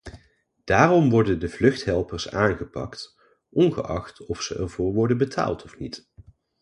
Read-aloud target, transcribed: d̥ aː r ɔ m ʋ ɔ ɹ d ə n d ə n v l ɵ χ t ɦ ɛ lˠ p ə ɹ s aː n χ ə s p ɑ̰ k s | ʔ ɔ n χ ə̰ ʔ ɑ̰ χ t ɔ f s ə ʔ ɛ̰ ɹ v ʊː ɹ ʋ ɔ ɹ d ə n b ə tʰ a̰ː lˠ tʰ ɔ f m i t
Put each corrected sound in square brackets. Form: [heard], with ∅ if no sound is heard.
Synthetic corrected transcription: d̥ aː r ɔ m ʋ ɔ ɹ d ə n d ə [∅] v l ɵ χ t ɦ ɛ lˠ p ə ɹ s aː n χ ə [∅] p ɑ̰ k [t] | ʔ ɔ n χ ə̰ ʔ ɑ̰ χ t ɔ f s ə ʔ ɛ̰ ɹ v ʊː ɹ ʋ ɔ ɹ d ə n b ə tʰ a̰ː lˠ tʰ ɔ f [n] i t